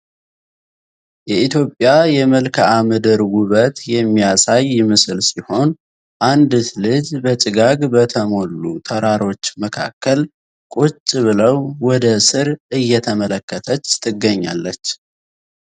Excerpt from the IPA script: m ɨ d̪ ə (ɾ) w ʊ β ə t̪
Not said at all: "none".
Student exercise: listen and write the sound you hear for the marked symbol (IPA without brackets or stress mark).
ɾ